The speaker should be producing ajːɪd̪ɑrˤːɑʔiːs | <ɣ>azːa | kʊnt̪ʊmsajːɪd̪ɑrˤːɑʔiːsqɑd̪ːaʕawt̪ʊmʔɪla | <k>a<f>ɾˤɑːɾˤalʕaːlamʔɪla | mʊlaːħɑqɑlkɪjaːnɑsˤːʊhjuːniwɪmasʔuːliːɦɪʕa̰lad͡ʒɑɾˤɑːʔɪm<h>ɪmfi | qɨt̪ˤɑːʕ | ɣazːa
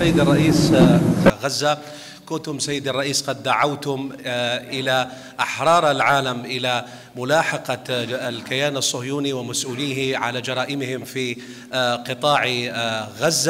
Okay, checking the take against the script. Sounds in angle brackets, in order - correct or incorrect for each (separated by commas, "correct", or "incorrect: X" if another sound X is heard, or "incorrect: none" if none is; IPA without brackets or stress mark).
correct, incorrect: ʔ, incorrect: ħ, correct